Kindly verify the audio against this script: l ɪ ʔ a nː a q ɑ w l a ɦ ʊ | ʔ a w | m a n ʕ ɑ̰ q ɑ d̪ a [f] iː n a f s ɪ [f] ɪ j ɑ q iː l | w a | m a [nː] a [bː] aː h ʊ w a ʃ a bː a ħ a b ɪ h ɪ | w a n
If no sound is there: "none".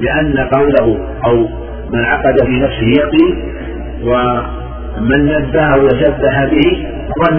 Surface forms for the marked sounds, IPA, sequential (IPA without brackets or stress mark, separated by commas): f, h, nː, bː